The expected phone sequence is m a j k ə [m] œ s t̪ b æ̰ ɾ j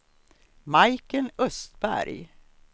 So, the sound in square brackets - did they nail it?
no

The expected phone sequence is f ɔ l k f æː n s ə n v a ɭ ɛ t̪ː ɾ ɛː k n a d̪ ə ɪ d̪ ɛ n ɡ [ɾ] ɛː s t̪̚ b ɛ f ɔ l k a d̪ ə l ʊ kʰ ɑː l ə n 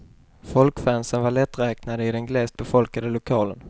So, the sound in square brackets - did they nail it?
no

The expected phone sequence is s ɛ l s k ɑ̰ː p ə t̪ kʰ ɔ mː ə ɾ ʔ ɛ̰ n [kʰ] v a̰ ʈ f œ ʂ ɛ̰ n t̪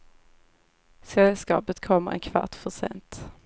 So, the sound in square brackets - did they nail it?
yes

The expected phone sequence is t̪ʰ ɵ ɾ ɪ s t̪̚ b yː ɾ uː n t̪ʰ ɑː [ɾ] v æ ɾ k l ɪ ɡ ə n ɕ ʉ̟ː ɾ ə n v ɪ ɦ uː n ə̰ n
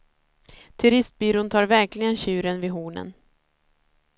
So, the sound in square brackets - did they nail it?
yes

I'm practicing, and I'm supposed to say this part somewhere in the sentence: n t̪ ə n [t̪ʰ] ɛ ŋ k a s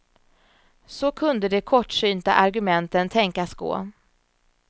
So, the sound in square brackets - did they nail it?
yes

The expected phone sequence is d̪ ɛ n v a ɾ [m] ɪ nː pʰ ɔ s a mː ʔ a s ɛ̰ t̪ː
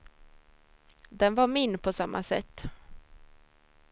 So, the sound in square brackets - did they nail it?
yes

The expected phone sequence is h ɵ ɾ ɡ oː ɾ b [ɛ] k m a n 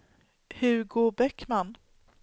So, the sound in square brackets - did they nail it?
yes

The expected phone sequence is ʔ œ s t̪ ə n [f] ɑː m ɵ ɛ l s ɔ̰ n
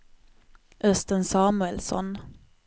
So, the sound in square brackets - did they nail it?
no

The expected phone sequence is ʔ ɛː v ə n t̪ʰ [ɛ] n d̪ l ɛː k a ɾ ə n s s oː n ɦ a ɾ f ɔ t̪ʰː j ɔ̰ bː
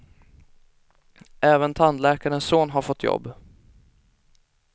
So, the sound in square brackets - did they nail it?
no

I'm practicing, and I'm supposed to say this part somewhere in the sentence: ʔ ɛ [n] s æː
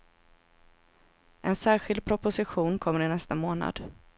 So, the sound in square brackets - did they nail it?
yes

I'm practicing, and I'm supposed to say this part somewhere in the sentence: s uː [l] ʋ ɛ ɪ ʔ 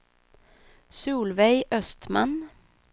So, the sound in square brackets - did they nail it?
yes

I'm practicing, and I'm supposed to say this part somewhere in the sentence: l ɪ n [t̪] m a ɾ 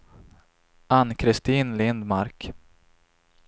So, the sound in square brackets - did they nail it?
no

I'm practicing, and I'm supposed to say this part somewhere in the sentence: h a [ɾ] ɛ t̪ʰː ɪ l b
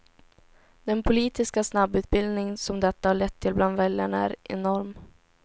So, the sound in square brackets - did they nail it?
no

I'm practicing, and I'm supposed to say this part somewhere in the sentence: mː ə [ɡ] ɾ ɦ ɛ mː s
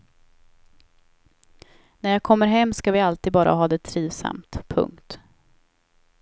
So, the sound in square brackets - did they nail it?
no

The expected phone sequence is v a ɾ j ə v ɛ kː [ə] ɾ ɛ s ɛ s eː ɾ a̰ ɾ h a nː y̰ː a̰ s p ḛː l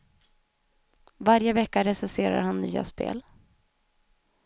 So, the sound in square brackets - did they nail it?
no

